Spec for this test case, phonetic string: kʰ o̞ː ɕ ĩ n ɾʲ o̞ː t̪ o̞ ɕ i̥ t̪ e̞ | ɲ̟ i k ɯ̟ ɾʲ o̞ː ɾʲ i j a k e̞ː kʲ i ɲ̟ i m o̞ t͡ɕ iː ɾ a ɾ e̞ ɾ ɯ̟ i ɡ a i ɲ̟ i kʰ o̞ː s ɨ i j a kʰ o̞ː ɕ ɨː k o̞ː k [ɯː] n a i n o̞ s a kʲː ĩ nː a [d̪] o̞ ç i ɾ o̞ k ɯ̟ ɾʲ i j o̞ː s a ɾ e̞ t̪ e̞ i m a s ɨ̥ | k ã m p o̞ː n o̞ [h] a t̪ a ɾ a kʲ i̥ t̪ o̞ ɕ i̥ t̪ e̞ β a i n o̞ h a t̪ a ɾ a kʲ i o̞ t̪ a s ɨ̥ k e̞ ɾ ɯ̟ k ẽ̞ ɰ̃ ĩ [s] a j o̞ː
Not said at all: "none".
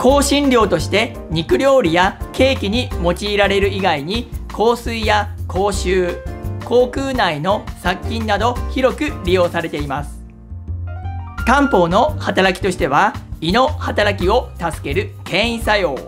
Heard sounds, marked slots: ɯː, d̪, h, s

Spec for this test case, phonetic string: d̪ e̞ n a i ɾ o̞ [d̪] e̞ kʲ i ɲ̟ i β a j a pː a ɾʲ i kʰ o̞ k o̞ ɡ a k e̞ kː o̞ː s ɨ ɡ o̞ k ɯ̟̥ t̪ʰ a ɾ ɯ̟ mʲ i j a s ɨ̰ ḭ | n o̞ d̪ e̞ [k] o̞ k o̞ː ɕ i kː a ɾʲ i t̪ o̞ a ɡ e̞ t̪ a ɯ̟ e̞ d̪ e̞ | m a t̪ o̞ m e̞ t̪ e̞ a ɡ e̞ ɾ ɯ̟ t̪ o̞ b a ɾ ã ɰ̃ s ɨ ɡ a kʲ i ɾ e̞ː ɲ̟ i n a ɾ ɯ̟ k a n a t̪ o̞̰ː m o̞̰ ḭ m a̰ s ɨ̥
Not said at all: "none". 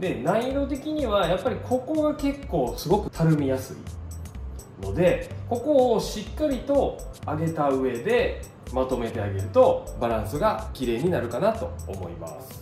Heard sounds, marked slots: t̪, k

